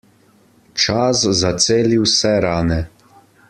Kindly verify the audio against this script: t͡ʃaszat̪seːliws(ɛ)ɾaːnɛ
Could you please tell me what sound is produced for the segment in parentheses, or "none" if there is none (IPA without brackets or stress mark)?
ɛ